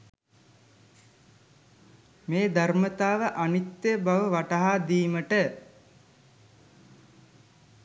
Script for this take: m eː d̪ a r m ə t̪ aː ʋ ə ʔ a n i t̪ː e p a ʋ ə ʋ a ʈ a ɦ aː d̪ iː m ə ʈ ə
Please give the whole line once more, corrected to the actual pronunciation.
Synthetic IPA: m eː d̪ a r m ə t̪ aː ʋ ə ʔ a n i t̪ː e b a ʋ ə ʋ a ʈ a ɦ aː d̪ iː m ə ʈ ə